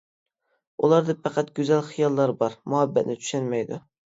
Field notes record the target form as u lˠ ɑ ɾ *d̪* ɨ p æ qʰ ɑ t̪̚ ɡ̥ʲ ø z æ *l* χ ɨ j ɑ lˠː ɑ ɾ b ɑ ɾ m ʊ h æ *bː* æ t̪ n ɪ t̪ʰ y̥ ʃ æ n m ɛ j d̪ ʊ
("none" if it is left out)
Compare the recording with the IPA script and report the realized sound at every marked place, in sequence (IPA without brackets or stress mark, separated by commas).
d̪, l, bː